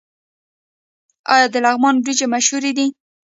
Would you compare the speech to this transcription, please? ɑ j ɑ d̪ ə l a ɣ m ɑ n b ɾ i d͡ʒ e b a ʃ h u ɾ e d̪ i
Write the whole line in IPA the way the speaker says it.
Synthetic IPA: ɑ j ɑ d̪ ə l a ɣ m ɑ n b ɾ i d͡ʒ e m a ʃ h u ɾ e d̪ i